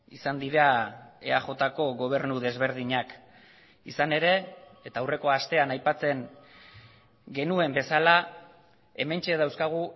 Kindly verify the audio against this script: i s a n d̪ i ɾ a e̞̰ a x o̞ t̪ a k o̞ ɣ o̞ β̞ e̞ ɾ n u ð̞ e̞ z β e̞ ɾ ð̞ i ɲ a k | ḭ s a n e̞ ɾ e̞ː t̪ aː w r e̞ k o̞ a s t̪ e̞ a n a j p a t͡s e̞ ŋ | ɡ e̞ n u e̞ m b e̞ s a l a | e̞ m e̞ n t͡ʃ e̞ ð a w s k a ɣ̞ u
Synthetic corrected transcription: i s a n d̪ i ɾ a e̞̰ a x o̞ t̪ a k o̞ ɣ o̞ β̞ e̞ ɾ n u ð̞ e̞ z β e̞ ɾ ð̞ i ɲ a k | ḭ s a n e̞ ɾ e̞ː t̪ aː w r e̞ k o̞ a s t̪ e̞ a n a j p a t͡s e̞ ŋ | ɡ e̞ n u e̞ m b e̞ s a l a | e̞ m e̞ n t͡ʃ e̞ ð a w s k a ɣ̞ u